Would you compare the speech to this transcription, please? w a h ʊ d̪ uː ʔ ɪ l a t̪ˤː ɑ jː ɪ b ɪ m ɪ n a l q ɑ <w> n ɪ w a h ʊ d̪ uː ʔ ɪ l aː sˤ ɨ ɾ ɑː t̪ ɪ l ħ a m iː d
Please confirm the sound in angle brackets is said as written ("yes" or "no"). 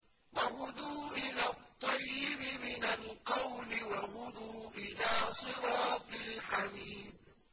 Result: yes